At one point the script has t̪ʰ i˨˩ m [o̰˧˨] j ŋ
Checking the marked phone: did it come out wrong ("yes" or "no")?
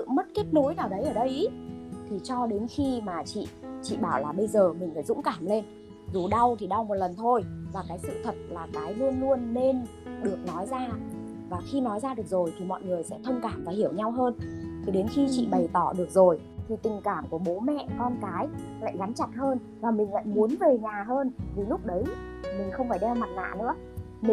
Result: yes